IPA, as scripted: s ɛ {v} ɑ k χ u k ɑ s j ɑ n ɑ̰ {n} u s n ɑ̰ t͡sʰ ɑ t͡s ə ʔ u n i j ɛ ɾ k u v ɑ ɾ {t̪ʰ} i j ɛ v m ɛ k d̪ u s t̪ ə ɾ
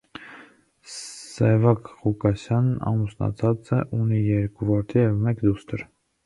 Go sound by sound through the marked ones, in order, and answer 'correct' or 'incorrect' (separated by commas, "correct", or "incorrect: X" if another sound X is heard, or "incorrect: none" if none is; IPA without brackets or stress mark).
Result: correct, incorrect: m, correct